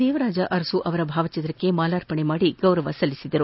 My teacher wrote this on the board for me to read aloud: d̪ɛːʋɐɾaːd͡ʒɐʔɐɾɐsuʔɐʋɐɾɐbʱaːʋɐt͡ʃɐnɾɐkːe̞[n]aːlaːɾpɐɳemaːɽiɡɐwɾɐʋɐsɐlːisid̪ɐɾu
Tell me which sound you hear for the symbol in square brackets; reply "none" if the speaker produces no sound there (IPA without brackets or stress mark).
m